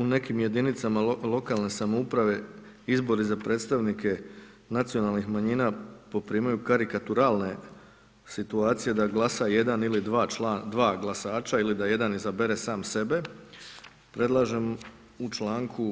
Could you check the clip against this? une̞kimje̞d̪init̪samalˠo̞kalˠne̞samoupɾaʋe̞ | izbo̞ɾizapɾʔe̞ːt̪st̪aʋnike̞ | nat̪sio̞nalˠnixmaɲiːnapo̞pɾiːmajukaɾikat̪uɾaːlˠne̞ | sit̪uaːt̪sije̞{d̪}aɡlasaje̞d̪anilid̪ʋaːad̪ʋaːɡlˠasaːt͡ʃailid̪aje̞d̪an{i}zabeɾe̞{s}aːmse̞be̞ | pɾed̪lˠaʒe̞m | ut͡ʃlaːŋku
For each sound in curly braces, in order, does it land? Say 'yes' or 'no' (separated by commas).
yes, yes, yes